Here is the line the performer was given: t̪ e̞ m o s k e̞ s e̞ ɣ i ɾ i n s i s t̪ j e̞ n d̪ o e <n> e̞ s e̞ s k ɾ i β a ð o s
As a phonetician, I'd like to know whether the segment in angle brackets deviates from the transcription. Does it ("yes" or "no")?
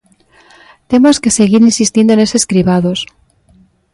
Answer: no